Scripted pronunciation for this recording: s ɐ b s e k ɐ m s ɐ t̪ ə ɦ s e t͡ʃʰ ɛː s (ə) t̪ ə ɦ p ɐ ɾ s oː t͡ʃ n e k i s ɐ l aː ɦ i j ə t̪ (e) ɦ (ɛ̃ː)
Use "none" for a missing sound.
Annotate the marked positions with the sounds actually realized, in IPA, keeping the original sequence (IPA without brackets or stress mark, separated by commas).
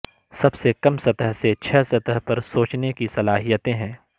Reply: ɐ, ẽ, ɛ̃ː